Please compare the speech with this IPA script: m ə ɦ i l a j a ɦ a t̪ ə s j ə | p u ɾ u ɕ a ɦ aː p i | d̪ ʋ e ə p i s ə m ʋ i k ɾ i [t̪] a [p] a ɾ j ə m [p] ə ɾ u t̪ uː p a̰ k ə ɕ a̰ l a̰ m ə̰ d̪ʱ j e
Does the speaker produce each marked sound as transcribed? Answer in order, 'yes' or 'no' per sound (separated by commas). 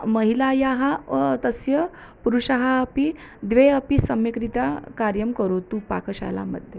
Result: yes, no, no